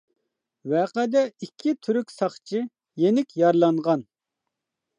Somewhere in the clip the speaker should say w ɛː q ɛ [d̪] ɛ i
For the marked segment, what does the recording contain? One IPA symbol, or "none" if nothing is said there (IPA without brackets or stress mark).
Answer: d̪